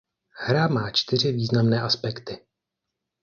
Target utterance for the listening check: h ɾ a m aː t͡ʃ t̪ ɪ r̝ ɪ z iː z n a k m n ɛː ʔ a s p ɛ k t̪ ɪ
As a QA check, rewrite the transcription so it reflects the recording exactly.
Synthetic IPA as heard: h ɾ a m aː t͡ʃ t̪ ɪ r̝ ɪ v iː z n a m n ɛː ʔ a s p ɛ k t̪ ɪ

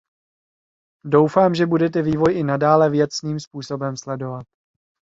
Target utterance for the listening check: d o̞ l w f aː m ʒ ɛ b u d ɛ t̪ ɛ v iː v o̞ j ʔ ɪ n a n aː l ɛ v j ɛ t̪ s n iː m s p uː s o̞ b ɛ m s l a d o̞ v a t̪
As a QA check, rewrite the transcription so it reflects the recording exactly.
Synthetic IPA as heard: d o̞ w f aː m ʒ ɛ b u d ɛ t̪ ɛ v iː v o̞ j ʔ ɪ n a d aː l ɛ v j ɛ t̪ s n iː m s p uː s o̞ b ɛ m s l ɛ d o̞ v a t̪

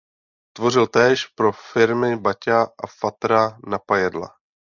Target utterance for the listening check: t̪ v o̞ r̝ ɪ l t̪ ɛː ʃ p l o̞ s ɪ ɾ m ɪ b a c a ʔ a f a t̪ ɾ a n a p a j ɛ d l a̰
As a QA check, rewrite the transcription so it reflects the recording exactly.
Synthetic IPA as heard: t̪ v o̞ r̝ ɪ l t̪ ɛː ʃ p ɾ o̞ f ɪ ɾ m ɪ b a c a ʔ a f a t̪ ɾ a n a p a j ɛ d l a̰

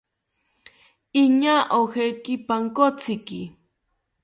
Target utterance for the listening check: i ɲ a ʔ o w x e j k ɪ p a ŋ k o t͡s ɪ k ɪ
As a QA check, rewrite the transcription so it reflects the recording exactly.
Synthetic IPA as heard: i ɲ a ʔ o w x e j k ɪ p a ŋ k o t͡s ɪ k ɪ

